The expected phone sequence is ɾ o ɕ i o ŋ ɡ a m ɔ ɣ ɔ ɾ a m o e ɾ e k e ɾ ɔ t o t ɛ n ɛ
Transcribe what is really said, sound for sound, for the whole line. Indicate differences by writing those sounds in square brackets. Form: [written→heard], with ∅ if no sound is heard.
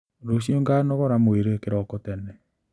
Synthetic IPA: ɾ o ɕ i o ŋ ɡ a [m→n] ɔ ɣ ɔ ɾ a m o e ɾ e k e ɾ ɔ [t→k] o t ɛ n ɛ